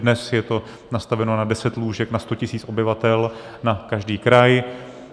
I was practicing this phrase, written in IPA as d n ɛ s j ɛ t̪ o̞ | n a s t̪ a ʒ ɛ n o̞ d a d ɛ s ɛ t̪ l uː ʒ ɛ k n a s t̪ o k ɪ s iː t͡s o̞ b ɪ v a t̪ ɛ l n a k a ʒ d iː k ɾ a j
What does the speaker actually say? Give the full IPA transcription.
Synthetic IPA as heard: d n ɛ s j ɛ t̪ o̞ | n a s t̪ a v ɛ n o̞ n a d ɛ s ɛ t̪ l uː ʒ ɛ k n a s t̪ o c ɪ s iː t͡s o̞ b ɪ v a t̪ ɛ l n a k a ʒ d iː k ɾ a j